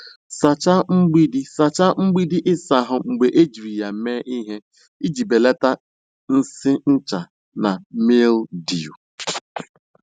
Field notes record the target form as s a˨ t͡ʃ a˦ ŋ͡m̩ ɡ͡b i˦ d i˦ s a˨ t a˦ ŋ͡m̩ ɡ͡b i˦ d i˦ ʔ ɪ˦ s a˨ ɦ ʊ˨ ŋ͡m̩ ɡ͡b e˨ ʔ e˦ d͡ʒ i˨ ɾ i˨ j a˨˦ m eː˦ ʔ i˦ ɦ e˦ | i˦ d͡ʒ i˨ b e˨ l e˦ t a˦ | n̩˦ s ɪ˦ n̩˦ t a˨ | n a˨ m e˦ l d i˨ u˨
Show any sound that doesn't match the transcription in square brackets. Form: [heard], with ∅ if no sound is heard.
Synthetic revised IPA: s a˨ t͡ʃ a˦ ŋ͡m̩ ɡ͡b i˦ d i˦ s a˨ [t͡ʃ] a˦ ŋ͡m̩ ɡ͡b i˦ d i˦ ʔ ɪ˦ s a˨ ɦ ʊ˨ ŋ͡m̩ ɡ͡b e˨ ʔ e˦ d͡ʒ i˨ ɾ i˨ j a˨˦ m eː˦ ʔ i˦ ɦ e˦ | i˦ d͡ʒ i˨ b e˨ l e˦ t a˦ | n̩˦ s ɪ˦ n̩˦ [t͡ʃ] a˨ | n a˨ m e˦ l d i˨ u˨

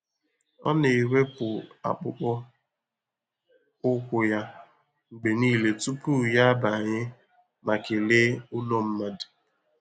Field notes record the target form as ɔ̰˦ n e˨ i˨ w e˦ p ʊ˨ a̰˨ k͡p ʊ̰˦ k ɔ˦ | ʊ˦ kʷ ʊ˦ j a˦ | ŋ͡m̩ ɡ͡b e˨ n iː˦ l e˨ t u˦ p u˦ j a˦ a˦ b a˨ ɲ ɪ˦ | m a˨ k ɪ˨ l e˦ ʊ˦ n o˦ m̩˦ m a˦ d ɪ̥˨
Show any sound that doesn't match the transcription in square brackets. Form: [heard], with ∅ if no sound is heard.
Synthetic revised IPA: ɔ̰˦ n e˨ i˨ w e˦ p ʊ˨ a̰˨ k͡p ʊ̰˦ [k͡p] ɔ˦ | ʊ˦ kʷ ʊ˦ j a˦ | ŋ͡m̩ ɡ͡b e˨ n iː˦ l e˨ t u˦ p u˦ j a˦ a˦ b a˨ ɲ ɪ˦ | m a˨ k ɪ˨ l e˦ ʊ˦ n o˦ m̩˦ m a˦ d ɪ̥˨

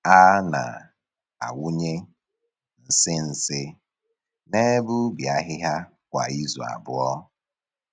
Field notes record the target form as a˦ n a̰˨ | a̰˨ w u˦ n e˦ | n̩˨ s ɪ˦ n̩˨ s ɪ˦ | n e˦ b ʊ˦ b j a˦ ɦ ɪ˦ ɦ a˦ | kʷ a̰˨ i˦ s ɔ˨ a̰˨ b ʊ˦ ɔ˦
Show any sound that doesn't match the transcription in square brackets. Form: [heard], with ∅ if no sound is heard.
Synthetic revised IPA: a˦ n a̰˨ | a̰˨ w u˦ [ɲ] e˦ | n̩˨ s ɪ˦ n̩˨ s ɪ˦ | n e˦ b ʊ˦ b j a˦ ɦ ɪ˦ ɦ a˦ | kʷ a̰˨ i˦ [z] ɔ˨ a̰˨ b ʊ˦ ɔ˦

